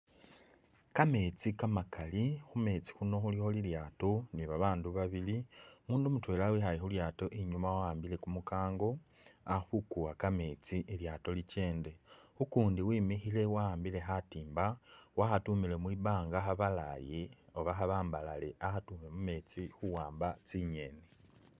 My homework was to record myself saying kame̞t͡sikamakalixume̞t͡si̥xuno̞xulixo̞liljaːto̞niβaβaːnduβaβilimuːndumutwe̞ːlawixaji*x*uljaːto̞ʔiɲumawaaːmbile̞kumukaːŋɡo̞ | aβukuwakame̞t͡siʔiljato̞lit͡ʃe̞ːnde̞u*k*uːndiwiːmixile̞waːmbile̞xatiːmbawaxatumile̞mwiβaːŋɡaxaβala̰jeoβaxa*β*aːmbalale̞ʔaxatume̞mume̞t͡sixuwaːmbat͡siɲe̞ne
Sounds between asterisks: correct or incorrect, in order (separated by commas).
correct, correct, correct